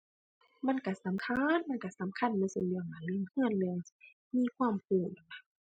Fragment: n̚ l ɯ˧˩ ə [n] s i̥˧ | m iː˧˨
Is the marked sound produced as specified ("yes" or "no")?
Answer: no